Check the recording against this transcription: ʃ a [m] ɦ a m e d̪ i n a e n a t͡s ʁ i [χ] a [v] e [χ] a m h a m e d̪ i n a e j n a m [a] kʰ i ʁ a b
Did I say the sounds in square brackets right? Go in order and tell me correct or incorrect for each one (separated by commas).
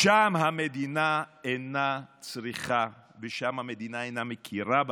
correct, correct, correct, incorrect, incorrect